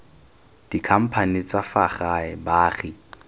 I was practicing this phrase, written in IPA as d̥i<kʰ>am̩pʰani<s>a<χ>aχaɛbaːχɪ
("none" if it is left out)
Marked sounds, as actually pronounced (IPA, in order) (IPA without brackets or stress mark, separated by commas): kʰ, t͡s, f